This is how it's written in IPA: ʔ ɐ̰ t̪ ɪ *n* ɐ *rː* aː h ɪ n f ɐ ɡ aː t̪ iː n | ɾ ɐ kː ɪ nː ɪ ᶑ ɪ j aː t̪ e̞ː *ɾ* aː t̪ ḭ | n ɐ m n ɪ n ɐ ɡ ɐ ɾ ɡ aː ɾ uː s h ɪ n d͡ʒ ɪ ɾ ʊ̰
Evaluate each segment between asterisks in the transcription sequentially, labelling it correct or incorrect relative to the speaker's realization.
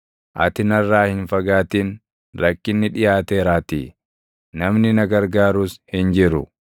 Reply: correct, correct, correct

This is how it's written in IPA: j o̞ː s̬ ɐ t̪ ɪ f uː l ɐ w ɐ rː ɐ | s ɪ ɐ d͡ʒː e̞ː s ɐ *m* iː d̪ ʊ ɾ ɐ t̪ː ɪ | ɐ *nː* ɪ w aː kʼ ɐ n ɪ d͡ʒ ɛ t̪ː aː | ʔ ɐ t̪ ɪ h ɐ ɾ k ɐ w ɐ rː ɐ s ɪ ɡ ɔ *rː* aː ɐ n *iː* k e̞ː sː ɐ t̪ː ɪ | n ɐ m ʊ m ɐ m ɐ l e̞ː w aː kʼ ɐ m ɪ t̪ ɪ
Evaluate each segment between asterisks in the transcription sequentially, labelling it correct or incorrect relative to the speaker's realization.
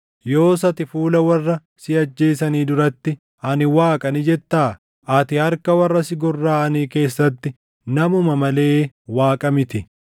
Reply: incorrect: n, incorrect: n, correct, correct

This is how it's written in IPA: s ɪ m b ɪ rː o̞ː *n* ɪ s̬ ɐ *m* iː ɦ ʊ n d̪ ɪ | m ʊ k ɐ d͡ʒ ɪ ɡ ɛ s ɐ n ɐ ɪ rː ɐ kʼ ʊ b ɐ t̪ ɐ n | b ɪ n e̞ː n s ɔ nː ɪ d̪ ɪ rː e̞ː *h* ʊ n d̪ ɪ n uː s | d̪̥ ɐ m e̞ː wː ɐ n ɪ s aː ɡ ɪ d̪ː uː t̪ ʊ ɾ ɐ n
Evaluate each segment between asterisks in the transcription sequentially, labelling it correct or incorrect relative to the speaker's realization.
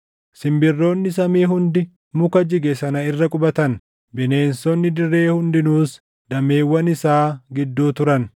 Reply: incorrect: nː, correct, correct

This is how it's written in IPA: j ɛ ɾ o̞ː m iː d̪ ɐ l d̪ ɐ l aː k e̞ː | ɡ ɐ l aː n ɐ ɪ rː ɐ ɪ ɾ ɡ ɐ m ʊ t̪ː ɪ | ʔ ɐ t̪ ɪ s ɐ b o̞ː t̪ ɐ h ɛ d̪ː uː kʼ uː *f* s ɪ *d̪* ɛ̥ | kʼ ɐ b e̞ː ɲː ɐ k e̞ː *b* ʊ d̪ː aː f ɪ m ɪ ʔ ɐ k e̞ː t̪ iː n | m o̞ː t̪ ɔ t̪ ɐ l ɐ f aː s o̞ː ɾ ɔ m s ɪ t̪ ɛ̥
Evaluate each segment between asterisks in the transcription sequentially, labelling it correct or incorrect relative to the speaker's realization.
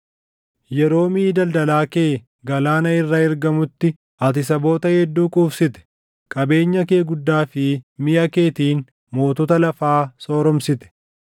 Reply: correct, incorrect: t̪, incorrect: ɡ

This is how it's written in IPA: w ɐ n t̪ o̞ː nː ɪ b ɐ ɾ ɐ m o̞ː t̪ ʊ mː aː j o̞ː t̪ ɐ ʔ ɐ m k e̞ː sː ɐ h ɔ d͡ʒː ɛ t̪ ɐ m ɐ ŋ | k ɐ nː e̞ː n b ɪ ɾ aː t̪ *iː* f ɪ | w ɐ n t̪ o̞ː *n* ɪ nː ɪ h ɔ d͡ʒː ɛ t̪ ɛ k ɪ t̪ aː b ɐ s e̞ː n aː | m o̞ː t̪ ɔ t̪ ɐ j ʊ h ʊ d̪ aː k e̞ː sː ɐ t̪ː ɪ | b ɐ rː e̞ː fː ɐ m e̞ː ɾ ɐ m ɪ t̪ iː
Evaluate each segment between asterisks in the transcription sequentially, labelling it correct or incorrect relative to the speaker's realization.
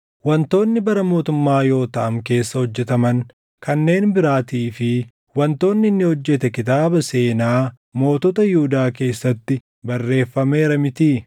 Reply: correct, incorrect: nː

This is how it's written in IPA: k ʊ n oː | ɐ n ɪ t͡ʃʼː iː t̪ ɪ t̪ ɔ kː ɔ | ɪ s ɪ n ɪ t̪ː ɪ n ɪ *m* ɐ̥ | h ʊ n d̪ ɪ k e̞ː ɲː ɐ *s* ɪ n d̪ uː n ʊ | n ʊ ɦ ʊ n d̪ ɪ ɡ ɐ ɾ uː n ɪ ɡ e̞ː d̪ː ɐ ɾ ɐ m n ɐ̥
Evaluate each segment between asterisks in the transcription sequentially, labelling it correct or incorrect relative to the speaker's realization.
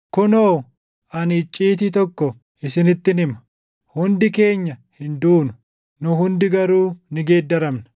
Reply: correct, incorrect: h

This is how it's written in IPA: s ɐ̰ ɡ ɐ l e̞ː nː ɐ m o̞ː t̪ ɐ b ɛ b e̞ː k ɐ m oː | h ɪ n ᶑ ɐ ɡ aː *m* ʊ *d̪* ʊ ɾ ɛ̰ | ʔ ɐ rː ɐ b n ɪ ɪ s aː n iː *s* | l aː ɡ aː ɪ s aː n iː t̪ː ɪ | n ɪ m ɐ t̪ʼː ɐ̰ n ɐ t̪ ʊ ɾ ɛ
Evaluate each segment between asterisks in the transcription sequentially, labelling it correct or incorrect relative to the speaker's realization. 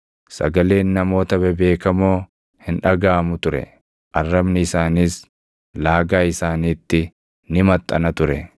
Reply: correct, incorrect: t̪, correct

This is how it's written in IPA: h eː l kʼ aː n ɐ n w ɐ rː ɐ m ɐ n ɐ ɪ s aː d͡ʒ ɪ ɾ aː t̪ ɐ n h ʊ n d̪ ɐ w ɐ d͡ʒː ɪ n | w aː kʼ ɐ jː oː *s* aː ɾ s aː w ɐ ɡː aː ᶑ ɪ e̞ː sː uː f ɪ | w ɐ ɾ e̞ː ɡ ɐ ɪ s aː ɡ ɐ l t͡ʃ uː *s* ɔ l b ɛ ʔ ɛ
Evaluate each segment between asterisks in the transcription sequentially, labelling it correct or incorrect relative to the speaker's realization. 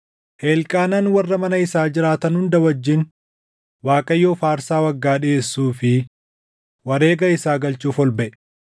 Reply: incorrect: f, incorrect: f

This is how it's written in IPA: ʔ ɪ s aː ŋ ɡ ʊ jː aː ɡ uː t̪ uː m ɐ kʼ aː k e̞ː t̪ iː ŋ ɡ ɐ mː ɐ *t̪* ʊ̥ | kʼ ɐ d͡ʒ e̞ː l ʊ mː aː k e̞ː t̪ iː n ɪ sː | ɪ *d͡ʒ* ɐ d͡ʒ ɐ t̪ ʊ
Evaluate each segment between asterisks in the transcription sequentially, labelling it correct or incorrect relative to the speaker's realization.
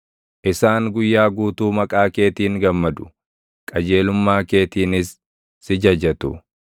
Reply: incorrect: d̪, correct

